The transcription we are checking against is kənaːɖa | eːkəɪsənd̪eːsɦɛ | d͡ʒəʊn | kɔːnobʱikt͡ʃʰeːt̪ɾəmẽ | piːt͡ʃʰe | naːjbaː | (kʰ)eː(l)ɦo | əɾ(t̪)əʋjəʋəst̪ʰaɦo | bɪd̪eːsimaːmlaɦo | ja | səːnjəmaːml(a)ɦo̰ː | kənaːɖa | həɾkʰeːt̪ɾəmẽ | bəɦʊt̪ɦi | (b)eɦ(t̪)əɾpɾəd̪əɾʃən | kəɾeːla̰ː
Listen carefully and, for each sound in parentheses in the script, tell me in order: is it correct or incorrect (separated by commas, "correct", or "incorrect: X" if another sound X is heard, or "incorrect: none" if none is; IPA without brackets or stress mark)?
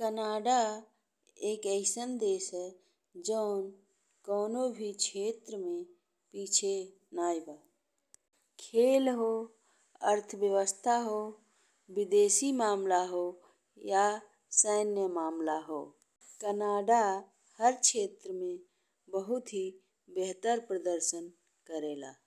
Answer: correct, correct, incorrect: t̪ʰ, correct, correct, correct